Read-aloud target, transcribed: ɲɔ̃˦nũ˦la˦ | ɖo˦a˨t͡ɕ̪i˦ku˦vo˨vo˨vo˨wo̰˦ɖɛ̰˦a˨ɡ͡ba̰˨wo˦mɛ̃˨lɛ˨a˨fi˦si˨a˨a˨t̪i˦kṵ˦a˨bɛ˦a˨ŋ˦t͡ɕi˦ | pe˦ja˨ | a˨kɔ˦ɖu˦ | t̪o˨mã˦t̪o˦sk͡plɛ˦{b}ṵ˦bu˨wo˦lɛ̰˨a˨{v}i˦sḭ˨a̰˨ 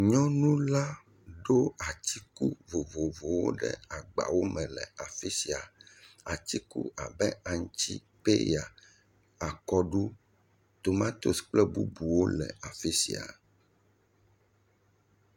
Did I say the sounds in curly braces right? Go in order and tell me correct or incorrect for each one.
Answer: correct, incorrect: f

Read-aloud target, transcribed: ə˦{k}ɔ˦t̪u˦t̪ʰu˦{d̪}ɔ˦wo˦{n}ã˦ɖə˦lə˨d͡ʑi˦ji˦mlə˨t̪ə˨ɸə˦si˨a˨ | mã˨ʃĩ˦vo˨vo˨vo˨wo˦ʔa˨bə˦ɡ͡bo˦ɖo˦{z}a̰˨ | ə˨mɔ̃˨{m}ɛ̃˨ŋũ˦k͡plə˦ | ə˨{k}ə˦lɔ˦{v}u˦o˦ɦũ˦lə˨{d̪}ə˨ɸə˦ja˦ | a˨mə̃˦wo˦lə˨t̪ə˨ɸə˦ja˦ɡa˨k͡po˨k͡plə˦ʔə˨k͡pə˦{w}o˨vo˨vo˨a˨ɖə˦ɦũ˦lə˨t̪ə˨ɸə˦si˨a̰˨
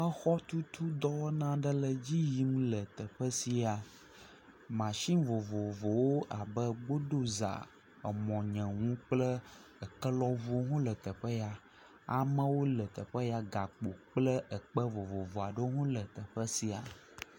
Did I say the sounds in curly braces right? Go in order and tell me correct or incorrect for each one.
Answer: incorrect: x, correct, correct, correct, incorrect: ɲ, correct, correct, incorrect: t̪, incorrect: v

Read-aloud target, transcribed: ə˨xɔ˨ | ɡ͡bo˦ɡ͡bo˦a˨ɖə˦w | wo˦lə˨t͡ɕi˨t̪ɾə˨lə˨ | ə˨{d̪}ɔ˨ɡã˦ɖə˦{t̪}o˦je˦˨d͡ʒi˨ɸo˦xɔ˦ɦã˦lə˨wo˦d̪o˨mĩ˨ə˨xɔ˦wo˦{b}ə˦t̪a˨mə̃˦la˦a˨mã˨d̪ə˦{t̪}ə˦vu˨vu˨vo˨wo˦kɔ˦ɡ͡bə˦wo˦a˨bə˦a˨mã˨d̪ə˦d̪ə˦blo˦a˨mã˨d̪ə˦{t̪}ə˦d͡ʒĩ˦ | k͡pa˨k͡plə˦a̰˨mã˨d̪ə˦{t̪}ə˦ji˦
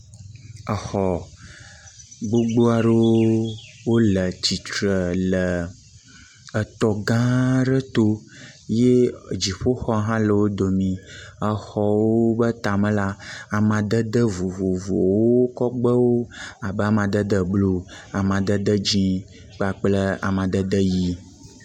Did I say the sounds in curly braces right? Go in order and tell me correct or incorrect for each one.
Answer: incorrect: t̪, correct, correct, incorrect: d̪, incorrect: d̪, incorrect: d̪

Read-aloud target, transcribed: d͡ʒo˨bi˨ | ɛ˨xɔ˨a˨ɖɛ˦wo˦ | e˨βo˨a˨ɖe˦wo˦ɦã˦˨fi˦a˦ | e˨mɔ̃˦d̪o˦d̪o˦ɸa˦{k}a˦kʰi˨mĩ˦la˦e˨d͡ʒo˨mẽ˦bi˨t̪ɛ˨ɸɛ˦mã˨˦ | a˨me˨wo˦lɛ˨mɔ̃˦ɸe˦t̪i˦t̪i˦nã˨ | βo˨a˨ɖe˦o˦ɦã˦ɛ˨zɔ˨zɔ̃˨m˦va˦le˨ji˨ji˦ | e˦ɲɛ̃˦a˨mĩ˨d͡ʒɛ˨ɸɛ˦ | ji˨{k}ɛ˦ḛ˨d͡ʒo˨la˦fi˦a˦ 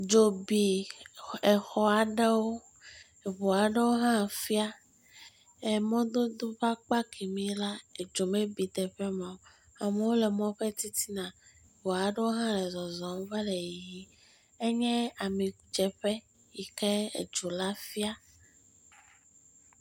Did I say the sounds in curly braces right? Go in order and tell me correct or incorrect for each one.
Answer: incorrect: k͡p, correct

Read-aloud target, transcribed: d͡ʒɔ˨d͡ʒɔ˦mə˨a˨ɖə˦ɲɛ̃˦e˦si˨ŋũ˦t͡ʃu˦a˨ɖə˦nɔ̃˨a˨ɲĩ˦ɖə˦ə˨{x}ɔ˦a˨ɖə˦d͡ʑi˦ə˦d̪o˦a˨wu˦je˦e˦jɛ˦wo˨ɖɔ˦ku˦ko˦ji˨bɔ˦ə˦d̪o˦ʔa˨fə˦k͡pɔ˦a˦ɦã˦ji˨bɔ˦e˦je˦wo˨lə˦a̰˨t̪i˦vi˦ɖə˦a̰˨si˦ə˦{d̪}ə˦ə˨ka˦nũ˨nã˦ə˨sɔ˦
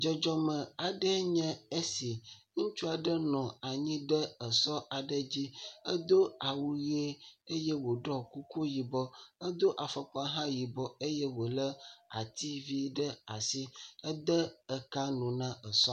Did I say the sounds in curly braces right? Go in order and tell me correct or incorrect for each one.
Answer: incorrect: s, correct

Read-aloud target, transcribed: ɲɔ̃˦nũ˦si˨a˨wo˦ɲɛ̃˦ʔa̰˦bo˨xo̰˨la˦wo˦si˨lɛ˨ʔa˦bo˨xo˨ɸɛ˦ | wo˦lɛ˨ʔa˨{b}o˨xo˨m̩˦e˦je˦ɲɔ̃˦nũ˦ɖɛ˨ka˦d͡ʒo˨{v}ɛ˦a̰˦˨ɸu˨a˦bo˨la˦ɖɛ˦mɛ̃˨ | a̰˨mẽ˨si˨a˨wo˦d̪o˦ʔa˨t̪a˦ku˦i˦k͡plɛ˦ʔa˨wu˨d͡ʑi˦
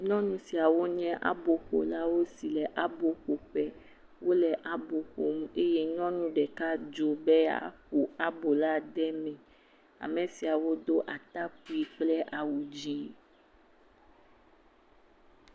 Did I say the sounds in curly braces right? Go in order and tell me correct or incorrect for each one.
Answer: correct, incorrect: b

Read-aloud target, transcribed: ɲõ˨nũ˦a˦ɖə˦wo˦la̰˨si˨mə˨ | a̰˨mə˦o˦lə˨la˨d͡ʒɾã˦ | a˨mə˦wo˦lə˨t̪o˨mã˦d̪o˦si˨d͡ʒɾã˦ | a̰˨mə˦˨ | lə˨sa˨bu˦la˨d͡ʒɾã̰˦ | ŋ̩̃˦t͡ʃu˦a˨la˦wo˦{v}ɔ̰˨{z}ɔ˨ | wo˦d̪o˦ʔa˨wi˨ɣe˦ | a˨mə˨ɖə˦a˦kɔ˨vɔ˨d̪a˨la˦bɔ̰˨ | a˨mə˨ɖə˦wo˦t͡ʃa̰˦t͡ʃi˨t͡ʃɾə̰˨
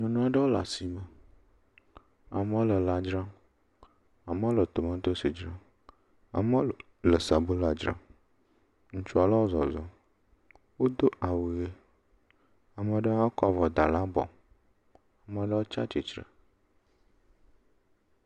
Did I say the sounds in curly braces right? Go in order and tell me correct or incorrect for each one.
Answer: incorrect: z, correct

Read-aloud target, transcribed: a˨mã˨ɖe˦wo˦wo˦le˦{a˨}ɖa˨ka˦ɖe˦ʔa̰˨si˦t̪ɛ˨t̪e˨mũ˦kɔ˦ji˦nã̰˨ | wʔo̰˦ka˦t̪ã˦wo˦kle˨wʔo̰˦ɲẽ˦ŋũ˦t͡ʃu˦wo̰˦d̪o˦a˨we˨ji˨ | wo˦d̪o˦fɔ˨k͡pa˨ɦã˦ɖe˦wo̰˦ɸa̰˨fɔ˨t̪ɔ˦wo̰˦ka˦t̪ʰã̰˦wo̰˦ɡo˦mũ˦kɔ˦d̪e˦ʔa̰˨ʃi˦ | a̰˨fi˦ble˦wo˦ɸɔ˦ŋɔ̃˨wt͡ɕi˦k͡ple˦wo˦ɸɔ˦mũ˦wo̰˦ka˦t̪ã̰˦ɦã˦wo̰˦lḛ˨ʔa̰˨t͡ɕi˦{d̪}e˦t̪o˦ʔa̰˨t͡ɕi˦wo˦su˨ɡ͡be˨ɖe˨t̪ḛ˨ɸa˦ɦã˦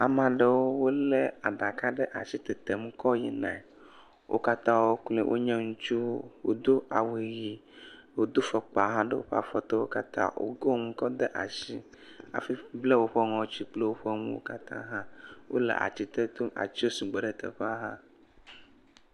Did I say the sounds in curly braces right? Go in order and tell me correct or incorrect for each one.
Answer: correct, incorrect: t̪

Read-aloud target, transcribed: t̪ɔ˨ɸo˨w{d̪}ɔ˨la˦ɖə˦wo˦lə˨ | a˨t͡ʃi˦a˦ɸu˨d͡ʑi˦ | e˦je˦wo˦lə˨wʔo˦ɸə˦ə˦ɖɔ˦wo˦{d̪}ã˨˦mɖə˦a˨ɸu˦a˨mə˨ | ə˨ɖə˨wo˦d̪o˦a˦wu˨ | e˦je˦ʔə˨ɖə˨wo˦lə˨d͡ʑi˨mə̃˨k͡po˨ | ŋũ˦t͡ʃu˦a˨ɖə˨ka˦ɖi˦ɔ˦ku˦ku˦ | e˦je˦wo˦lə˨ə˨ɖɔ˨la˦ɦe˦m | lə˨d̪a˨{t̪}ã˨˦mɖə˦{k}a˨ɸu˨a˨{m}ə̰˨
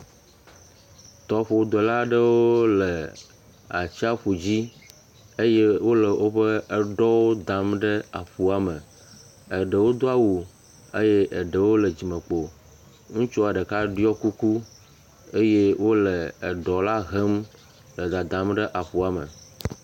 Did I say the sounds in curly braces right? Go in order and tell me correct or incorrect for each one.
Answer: correct, correct, incorrect: d̪, incorrect: ʔ, correct

